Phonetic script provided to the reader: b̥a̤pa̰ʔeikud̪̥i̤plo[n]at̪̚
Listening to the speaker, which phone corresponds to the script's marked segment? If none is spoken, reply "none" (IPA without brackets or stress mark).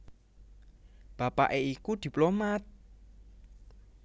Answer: m